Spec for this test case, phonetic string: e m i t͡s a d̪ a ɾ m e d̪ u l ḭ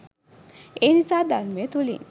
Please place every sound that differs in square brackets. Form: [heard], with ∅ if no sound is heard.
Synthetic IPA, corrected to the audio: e [n] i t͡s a d̪ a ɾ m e [t̪] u l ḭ